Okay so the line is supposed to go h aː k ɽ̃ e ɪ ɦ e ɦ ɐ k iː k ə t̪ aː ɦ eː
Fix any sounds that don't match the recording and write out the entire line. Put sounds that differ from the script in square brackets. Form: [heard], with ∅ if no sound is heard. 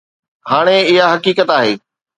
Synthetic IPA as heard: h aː [∅] ɽ̃ e ɪ ɦ [a] ɦ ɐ k iː k ə t̪ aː ɦ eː